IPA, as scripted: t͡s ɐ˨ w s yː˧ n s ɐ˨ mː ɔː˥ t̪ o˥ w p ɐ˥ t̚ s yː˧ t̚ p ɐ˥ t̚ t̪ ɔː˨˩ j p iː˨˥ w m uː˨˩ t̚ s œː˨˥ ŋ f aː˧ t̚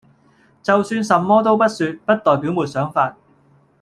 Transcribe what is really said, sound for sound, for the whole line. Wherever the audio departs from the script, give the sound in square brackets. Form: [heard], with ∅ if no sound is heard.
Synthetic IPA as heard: t͡s ɐ˨ w s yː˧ n s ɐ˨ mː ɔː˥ t̪ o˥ w p ɐ˥ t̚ s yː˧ t̚ p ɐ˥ t̚ t̪ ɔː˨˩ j p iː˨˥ w m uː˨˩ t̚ s œː˨˥ ŋ f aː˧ t̚